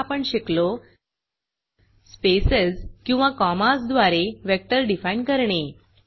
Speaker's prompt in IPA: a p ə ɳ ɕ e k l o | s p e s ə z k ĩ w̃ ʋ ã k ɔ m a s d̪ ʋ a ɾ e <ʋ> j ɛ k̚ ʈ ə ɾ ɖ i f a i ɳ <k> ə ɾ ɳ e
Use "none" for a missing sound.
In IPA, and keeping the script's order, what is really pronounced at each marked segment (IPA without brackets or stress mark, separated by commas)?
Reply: ʋ, k